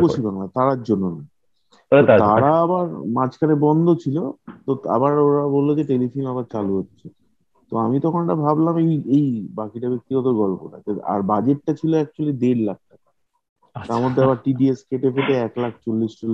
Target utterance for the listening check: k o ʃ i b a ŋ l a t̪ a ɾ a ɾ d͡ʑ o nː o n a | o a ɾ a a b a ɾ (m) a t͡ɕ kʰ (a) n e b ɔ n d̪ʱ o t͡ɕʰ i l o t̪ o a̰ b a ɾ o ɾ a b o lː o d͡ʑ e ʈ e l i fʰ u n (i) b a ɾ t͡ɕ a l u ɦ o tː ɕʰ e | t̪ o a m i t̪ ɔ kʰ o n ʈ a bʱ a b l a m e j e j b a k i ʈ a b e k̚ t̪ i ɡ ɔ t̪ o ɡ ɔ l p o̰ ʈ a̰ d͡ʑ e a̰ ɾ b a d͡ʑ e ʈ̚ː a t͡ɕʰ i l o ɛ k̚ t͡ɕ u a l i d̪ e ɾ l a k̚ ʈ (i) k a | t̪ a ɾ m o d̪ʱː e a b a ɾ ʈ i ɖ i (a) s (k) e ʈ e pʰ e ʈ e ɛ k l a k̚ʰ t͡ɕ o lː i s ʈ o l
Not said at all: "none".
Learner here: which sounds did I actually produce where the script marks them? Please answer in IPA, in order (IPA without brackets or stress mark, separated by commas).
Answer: m, a, a, a, e, k